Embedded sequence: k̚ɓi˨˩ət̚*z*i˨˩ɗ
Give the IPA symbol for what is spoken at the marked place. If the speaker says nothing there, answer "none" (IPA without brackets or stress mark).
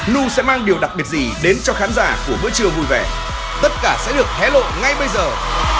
z